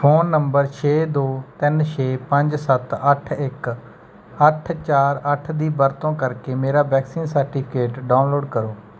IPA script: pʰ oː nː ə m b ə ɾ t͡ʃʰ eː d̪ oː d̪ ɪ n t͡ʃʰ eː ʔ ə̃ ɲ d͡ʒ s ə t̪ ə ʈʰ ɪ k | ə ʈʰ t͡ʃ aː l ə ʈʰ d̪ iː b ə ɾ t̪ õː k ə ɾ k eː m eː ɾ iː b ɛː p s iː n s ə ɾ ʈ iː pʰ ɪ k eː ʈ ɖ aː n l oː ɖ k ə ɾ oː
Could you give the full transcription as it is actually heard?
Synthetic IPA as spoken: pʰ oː nː ə m b ə ɾ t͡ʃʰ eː d̪ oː t̪ ɪ n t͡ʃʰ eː p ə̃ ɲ d͡ʒ s ə t̪ ə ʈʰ ɪ k | ə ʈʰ t͡ʃ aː ɾ ə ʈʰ d̪ iː b ə ɾ t̪ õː k ə ɾ k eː m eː ɾ aː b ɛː k s iː n s ə ɾ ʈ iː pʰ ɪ k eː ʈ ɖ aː n l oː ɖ k ə ɾ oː